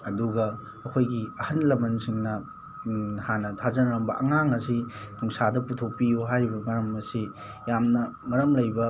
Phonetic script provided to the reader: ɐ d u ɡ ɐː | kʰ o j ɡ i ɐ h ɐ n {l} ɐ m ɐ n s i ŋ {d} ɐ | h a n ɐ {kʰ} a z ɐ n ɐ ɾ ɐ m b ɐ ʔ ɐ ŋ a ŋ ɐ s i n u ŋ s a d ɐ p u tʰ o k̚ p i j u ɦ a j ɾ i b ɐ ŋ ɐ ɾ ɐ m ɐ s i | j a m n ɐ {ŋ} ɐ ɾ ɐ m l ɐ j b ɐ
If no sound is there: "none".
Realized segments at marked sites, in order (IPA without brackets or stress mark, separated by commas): l, n, tʰ, ŋ